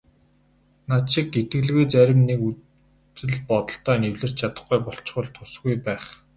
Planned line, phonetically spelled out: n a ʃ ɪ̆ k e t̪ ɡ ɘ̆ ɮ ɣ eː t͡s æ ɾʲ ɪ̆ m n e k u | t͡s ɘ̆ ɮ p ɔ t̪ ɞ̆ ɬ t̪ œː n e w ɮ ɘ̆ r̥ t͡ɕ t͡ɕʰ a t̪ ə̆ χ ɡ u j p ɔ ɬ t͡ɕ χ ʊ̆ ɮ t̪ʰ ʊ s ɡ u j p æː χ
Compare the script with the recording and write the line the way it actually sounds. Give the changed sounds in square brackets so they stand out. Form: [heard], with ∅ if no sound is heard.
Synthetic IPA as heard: n a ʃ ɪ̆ k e t̪ ɡ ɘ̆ ɮ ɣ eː t͡s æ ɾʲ ɪ̆ m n e k u | t͡s ɘ̆ ɮ p ɔ t̪ ɞ̆ ɬ t̪ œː n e w ɮ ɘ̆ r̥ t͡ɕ t͡ɕʰ a t̪ ə̆ χ ɡ u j p ɔ ɬ t͡ɕ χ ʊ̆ ɮ t̪ʰ ʊ s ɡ u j p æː χ